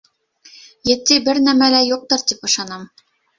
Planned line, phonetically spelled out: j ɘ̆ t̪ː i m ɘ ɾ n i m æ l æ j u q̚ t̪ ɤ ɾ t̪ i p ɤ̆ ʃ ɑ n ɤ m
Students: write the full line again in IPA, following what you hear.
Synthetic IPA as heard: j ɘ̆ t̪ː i b ɘ ɾ n æ m æ l æ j u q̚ t̪ ɤ ɾ t̪ i p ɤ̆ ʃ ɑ n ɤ m

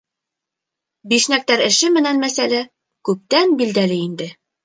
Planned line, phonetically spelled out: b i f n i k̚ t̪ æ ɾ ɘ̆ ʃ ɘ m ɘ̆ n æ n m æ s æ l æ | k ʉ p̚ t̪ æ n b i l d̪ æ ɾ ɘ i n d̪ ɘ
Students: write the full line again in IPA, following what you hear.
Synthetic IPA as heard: b i ʃ n æ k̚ t̪ æ ɾ ɘ̆ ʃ ɘ m ɘ̆ n æ n m æ s æ l æ | k ʉ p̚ t̪ æ n b i l d̪ æ l ɘ i n d̪ ɘ

